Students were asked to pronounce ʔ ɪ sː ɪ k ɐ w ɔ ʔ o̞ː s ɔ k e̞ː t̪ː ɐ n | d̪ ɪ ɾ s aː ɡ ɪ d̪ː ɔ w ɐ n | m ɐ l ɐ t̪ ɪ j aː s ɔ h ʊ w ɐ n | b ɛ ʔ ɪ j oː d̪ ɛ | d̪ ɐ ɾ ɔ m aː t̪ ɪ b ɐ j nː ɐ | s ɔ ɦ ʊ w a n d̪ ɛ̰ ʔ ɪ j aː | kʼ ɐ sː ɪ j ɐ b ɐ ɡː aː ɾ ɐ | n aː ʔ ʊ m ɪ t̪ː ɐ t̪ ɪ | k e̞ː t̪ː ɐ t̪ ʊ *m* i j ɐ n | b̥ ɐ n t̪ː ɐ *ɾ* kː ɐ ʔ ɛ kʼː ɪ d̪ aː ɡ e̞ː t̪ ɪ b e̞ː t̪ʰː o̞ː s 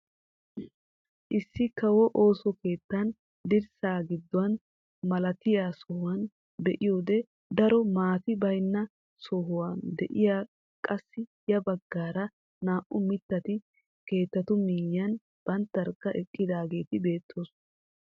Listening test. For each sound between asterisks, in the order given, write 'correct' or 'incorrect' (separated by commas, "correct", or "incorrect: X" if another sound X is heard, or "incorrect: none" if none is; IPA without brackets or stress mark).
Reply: correct, correct